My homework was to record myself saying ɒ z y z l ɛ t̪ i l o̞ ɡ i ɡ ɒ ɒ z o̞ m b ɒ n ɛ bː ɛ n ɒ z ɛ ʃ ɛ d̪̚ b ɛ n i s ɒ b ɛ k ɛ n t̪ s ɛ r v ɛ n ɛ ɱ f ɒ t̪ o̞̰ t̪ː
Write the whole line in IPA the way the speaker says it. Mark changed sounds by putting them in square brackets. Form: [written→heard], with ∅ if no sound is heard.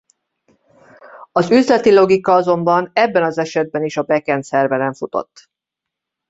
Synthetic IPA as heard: ɒ z y z l ɛ t̪ i l o̞ ɡ i [ɡ→k] ɒ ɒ z o̞ m b ɒ n ɛ bː ɛ n ɒ z ɛ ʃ ɛ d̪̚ b ɛ n i [s→ʃ] ɒ b ɛ k ɛ n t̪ s ɛ r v ɛ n ɛ ɱ f [ɒ→u] t̪ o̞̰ t̪ː